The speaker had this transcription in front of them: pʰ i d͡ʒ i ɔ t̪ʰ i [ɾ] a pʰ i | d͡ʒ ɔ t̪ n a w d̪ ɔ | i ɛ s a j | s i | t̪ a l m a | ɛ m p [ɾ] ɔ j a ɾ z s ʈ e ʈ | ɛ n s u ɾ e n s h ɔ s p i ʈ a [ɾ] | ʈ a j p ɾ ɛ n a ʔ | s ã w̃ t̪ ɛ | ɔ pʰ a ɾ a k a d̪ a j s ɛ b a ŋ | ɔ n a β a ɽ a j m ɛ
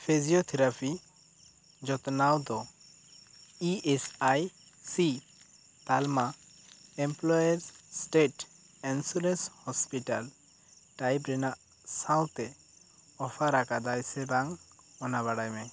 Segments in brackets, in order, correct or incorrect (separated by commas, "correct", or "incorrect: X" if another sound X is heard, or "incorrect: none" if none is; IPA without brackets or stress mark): correct, incorrect: l, incorrect: l